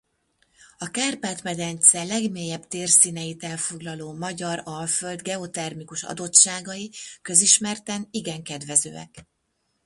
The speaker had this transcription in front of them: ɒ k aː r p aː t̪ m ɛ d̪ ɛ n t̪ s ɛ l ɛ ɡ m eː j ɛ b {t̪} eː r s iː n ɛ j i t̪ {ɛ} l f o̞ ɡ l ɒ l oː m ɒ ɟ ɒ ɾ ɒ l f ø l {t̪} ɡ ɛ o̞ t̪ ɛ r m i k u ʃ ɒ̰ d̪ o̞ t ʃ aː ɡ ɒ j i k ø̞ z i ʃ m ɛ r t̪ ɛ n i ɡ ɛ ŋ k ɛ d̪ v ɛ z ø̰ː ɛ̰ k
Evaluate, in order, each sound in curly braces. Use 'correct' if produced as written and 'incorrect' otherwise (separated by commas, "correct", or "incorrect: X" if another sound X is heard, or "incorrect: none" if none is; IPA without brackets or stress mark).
correct, correct, incorrect: d̪